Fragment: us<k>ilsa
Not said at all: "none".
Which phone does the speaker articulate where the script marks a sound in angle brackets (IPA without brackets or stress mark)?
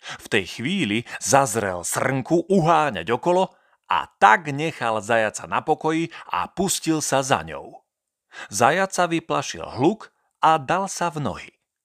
c